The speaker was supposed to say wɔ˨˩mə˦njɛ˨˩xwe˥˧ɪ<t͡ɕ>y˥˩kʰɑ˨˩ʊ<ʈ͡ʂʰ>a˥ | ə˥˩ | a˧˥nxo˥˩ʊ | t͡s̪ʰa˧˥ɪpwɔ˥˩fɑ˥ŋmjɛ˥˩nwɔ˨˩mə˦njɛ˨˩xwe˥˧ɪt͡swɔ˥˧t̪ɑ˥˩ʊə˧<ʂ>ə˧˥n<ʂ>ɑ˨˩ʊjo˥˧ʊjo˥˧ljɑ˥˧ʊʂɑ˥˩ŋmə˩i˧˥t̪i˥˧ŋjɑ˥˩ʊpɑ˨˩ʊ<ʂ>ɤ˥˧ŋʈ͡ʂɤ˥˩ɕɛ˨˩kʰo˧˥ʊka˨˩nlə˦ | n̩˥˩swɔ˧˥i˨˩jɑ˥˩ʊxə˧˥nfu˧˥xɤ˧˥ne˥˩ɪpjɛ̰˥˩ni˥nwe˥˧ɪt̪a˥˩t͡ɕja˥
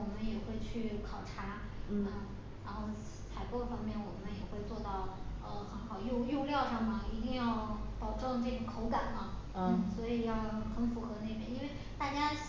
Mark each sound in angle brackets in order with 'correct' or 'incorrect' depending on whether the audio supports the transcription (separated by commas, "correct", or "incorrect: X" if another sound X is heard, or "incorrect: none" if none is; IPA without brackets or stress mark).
incorrect: t͡ɕʰ, correct, incorrect: x, incorrect: x, incorrect: ʈ͡ʂ